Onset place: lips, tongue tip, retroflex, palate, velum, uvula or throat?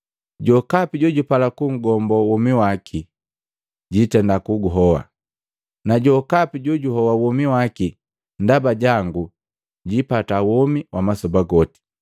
palate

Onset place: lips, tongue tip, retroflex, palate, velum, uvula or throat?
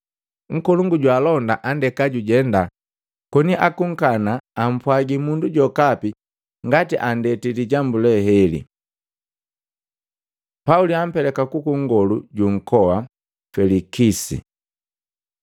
velum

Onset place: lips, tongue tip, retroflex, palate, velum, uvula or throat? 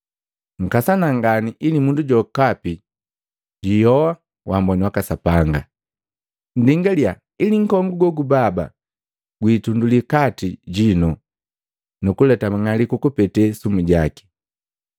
velum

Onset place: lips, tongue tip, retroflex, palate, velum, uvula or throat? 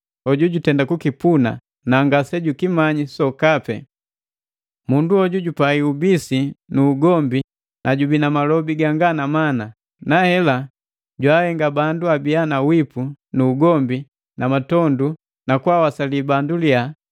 palate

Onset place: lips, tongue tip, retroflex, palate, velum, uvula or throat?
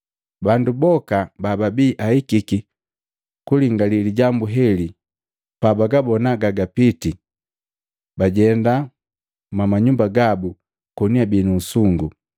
lips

